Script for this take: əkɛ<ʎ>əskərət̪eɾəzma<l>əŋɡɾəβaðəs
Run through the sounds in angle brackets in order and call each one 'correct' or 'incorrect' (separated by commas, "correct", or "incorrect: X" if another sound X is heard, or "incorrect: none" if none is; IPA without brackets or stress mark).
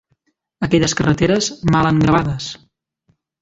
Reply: correct, correct